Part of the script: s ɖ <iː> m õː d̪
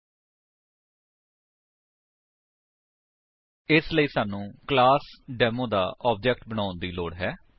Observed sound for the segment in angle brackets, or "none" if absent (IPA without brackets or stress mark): ɛː